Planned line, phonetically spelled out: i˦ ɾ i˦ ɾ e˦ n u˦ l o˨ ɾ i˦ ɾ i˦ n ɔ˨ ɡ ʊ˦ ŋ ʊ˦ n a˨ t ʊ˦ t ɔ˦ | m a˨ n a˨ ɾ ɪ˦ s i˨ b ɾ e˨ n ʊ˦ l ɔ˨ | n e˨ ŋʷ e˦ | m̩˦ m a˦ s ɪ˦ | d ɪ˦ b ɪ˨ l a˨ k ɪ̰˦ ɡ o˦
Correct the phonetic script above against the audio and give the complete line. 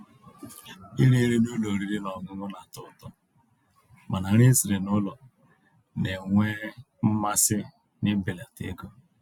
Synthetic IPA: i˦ ɾ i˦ ɾ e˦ n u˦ l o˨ ɾ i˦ ɾ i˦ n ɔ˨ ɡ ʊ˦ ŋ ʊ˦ n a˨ t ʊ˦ t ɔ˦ | m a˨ n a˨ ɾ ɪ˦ s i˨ ɾ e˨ n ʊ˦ l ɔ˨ | n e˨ ŋʷ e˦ | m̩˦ m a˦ s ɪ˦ | n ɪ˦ b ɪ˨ l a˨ t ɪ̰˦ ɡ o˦